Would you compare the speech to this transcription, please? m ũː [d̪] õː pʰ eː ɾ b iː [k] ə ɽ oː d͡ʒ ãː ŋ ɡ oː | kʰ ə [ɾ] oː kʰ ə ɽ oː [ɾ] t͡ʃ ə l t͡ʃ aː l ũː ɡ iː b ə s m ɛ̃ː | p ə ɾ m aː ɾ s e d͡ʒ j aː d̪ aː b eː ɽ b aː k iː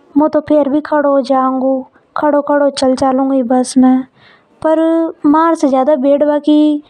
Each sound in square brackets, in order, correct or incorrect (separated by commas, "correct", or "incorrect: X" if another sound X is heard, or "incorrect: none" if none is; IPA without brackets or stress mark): incorrect: t̪, incorrect: kʰ, incorrect: ɽ, incorrect: none